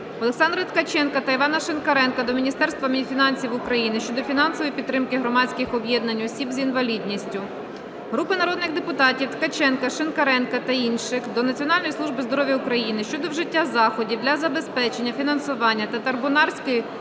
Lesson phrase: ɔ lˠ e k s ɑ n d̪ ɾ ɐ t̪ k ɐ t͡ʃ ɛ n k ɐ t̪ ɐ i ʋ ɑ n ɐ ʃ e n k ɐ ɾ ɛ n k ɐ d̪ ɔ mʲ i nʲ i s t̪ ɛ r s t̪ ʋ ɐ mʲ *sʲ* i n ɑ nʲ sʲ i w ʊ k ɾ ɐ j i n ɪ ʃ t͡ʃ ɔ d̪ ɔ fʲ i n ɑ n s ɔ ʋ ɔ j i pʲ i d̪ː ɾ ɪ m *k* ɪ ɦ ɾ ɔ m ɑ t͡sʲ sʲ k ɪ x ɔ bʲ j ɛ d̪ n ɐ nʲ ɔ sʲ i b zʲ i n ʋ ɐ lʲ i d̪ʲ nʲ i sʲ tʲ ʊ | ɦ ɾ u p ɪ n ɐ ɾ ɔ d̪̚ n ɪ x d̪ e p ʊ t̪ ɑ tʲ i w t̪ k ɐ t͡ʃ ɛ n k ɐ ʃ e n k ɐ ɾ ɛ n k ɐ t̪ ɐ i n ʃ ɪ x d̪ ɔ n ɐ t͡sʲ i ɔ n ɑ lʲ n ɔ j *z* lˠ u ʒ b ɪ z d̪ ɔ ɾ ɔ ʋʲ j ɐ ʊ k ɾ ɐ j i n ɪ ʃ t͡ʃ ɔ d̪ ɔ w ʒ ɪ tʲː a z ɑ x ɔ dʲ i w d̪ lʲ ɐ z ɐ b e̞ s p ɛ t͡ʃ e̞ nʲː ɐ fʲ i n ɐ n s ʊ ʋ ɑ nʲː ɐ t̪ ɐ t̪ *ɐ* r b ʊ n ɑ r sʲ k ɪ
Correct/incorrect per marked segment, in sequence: incorrect: fʲ, correct, incorrect: s, correct

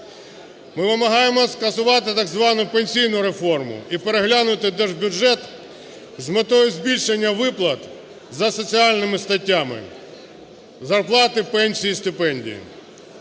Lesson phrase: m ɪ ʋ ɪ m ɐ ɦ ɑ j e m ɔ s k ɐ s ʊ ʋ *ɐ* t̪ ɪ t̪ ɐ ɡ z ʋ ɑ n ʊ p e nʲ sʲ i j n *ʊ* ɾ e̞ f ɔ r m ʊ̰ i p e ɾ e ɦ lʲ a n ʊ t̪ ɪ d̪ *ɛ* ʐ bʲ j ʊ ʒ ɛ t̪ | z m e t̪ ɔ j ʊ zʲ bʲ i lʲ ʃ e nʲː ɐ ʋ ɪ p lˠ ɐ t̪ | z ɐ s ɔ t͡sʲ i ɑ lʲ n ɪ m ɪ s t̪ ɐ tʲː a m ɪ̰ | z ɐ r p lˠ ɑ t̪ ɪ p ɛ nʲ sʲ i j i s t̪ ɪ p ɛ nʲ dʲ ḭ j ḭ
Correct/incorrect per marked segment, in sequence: incorrect: ɑ, correct, correct

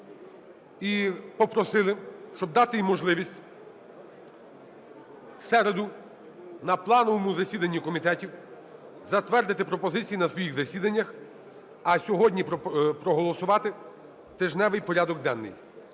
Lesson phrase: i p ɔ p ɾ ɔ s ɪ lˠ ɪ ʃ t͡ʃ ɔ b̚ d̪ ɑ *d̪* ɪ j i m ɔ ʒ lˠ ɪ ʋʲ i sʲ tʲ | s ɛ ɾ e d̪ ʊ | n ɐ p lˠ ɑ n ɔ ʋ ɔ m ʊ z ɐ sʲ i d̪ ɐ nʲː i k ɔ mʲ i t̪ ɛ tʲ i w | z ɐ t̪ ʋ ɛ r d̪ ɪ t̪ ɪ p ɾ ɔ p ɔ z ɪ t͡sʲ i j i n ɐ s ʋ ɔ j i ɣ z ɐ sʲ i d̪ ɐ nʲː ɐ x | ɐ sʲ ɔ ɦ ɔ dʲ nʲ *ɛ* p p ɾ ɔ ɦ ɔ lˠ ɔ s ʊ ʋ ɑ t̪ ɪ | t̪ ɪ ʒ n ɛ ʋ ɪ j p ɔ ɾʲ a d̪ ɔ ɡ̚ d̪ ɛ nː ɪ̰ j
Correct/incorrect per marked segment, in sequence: incorrect: t̪, incorrect: i

